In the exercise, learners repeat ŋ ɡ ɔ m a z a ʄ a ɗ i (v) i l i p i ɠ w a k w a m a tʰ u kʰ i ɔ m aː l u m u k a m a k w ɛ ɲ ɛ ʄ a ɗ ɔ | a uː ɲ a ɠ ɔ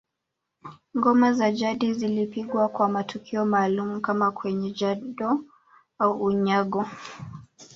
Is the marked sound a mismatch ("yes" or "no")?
yes